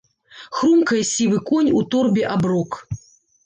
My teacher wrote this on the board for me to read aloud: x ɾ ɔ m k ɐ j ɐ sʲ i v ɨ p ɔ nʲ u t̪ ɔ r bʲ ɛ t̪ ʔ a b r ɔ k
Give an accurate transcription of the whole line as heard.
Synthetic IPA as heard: x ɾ u m k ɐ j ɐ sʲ i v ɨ k ɔ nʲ u t̪ ɔ r bʲ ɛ ʔ a b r ɔ k